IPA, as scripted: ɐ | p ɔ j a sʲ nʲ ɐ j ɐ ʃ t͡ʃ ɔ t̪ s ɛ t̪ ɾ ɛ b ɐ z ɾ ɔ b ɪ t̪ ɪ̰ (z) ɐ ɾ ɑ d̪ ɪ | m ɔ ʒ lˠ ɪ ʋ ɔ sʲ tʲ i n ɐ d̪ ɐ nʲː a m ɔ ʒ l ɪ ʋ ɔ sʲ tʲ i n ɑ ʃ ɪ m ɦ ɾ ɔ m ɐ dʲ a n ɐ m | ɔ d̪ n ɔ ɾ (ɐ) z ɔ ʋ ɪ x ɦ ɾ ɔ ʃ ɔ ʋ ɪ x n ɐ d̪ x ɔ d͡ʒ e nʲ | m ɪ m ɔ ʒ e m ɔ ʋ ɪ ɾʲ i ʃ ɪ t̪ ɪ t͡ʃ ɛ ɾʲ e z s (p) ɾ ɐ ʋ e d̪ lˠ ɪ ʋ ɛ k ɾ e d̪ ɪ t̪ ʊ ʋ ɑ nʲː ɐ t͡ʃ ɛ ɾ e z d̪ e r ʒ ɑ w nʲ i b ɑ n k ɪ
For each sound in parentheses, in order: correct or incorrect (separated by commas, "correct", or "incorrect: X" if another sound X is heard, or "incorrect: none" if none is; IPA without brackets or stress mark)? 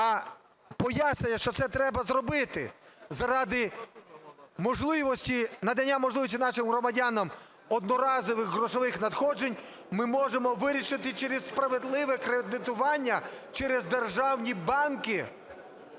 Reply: correct, incorrect: ɑ, correct